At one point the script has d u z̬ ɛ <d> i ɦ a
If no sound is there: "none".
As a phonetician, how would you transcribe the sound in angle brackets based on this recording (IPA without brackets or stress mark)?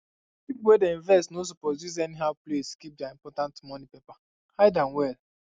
n